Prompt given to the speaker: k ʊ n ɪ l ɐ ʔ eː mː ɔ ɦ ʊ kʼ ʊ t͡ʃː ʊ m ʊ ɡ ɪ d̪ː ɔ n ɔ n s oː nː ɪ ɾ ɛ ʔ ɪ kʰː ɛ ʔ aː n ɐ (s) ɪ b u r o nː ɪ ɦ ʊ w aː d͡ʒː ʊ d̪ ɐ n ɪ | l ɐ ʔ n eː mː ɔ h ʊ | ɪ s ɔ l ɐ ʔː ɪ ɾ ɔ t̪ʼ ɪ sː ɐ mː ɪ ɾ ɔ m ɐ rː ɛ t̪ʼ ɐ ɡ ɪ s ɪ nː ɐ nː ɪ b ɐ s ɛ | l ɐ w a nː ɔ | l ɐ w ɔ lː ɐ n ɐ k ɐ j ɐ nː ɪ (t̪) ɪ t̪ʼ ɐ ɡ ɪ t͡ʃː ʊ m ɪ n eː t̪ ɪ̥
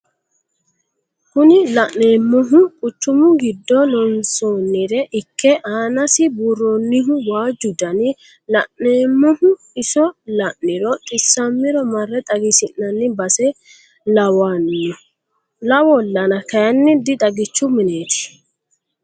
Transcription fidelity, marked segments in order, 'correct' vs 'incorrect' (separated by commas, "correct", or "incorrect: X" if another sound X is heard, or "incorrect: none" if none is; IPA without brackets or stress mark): correct, incorrect: d̪